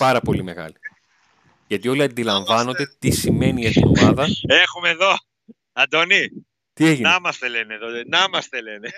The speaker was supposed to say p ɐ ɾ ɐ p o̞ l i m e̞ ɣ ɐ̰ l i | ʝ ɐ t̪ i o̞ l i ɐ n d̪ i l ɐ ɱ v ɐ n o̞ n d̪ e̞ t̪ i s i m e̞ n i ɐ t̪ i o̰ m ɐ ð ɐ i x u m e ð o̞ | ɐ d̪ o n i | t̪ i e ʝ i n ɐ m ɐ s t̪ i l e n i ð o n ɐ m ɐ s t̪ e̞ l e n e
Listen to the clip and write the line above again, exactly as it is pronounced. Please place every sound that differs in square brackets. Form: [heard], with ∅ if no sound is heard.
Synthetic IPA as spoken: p ɐ ɾ ɐ p o̞ l i m e̞ ɣ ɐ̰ l i | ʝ ɐ t̪ i o̞ l i ɐ n d̪ i l ɐ ɱ v ɐ n o̞ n d̪ e̞ t̪ i s i m e̞ n i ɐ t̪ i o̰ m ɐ ð ɐ [e] x u m e ð o̞ | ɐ d̪ o n i | t̪ i e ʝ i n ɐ m ɐ s t̪ [e] l e n [e] ð o n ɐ m ɐ s t̪ e̞ l e n e